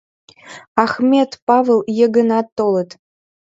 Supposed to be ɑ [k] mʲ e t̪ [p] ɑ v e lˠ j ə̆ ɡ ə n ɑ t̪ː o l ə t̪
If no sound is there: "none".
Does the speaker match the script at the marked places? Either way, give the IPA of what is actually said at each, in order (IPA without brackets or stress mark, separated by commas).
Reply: x, p